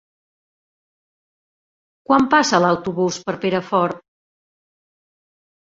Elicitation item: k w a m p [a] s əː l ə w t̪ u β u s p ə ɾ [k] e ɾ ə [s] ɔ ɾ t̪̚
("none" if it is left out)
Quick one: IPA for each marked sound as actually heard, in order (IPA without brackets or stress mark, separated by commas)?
a, p, f